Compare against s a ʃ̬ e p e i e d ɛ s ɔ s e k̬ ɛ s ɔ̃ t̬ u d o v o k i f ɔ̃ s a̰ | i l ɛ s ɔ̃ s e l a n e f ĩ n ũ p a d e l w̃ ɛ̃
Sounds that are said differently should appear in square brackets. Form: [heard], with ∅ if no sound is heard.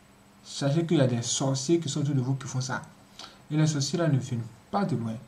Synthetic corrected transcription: s a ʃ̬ e [k] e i [a] d ɛ s ɔ s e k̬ [i] s ɔ̃ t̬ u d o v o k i f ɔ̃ s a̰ | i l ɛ s [ɔ] s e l a n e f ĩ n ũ p a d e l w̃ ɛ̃